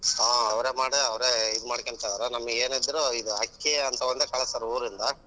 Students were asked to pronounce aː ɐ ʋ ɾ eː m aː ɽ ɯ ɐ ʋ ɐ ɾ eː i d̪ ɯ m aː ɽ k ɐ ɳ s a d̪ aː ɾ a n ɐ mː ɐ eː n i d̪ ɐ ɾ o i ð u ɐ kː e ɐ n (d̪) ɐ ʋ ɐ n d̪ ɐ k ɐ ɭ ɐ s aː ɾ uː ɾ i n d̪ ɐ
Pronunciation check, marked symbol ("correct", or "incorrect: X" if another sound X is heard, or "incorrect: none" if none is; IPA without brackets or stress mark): incorrect: t̪